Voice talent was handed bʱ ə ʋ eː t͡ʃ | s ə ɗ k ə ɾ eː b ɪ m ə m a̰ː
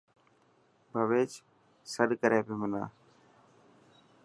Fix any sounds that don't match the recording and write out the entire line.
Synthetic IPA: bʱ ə ʋ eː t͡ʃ | s ə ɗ k ə ɾ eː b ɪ m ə n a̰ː

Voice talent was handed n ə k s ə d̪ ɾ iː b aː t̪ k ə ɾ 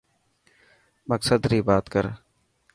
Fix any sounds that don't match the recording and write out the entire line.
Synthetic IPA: m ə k s ə d̪ ɾ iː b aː t̪ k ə ɾ

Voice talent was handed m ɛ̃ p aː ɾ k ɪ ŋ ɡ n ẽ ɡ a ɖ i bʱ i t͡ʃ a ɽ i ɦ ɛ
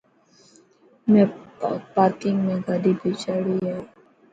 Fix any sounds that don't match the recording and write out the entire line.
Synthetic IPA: m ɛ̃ p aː ɾ k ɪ ŋ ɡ m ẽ ɡ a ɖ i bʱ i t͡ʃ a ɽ i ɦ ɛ

